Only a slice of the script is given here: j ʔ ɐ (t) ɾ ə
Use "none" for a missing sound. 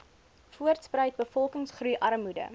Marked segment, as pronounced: none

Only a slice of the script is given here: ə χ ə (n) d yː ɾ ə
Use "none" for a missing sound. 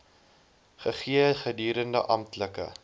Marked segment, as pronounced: none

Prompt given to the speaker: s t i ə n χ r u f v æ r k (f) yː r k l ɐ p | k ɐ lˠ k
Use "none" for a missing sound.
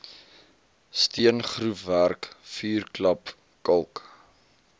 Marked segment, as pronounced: f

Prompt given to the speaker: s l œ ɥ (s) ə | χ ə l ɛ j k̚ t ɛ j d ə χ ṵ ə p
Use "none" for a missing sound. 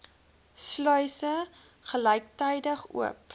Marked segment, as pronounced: s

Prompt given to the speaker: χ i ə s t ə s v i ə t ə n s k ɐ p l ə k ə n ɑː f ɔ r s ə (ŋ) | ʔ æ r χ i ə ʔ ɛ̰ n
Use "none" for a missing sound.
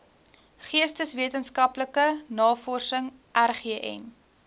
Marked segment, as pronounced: ŋ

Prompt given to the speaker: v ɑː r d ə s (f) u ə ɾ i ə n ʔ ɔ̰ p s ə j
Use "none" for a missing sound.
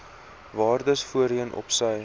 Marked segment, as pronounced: f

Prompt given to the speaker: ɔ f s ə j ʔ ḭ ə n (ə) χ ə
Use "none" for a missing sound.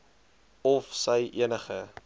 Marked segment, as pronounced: ə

